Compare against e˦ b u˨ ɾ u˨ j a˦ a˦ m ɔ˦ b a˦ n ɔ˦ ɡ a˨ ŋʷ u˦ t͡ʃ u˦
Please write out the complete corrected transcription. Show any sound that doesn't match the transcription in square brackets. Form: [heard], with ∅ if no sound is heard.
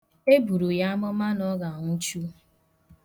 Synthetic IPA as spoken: e˦ b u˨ ɾ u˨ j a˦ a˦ m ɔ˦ [m] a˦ n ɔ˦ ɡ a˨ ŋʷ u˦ t͡ʃ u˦